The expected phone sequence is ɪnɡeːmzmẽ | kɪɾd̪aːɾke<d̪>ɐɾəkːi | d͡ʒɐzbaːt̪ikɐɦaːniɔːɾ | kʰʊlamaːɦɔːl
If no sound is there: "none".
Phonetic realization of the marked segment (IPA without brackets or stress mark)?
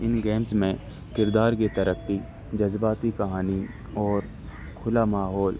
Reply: t̪